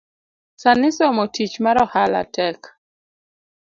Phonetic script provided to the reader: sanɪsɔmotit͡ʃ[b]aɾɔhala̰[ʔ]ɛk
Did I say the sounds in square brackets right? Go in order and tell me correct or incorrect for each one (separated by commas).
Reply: incorrect, incorrect